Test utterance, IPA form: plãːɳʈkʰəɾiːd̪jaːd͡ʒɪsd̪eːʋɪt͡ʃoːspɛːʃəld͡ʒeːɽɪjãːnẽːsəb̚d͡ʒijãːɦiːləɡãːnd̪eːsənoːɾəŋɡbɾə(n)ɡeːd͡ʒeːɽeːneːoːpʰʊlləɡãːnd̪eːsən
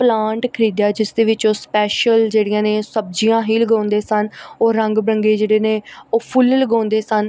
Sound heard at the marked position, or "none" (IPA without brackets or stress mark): ŋ